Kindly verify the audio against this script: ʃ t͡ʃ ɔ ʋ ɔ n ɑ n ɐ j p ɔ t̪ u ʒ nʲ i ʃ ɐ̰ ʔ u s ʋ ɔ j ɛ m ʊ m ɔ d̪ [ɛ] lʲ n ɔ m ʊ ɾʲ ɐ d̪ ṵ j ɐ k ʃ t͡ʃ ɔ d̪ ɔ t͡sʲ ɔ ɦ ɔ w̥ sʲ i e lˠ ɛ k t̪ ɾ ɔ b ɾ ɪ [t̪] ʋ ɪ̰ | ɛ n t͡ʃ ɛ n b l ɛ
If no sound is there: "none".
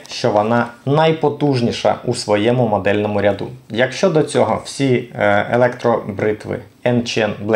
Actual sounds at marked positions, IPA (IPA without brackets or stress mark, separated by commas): ɛ, t̪